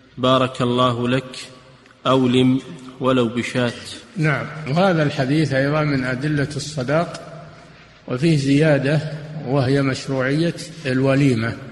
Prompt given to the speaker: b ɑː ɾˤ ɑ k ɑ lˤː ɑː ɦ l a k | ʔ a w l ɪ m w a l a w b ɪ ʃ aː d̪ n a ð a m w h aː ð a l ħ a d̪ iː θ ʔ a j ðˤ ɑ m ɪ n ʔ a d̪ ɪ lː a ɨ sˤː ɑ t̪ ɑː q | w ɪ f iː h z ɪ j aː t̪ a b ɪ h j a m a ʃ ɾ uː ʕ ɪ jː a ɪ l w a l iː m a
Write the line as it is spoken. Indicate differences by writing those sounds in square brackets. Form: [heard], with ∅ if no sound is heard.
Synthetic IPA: b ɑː ɾˤ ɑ k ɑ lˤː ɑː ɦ l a k | ʔ a w l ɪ m w a l a w b ɪ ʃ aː [t̪] n a [ʕ] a m w h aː ð a l ħ a d̪ iː θ ʔ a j ðˤ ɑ m ɪ n ʔ a d̪ ɪ lː a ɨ sˤː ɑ [d̪] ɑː q | w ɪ f iː h z ɪ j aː [d̪] a [w] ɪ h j a m a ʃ ɾ uː ʕ ɪ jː a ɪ l w a l iː m a